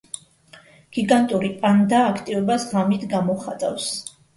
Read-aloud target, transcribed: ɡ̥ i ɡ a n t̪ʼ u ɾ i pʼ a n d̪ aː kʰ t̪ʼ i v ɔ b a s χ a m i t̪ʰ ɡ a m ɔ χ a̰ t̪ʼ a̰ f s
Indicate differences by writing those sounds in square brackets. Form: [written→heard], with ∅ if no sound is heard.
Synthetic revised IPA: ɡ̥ i ɡ a n t̪ʼ u ɾ i pʼ a n d̪ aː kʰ t̪ʼ i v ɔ b a s [χ→ʁ] a m i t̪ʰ ɡ a m ɔ χ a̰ t̪ʼ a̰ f s